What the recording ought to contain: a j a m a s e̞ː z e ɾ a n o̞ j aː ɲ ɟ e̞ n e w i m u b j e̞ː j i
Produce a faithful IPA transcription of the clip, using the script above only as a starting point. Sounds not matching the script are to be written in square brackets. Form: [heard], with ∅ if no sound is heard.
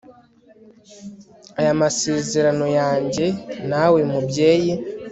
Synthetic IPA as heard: a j a m a s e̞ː z e ɾ a n o̞ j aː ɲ ɟ e̞ n [a] w [e] m u b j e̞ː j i